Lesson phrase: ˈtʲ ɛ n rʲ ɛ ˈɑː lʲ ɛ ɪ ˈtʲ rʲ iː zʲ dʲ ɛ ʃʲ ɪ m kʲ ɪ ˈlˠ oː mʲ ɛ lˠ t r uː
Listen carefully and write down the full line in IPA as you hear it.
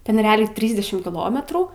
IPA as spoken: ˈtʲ ɛ n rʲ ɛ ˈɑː lʲ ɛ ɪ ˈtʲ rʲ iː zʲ dʲ ɛ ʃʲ ɪ m kʲ ɪ ˈlˠ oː mʲ ɛ t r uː